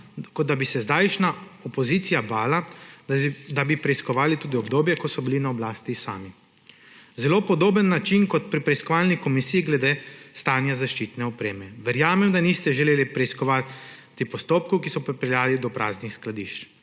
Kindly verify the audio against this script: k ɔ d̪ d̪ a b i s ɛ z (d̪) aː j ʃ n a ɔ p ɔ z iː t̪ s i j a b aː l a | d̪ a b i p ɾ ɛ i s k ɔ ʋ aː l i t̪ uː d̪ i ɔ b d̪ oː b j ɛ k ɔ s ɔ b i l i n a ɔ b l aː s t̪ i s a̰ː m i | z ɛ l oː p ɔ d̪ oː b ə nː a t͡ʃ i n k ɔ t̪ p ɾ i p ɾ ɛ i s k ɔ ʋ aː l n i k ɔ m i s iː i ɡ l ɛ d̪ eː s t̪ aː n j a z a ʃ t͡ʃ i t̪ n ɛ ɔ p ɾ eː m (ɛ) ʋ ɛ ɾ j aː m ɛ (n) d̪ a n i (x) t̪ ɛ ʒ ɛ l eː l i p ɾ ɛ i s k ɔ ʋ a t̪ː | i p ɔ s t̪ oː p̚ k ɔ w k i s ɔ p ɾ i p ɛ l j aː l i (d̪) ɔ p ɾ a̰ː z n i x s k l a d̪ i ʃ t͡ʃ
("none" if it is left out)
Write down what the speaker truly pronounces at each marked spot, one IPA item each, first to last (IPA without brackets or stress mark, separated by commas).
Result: d̪, ɛ, m, s, d̪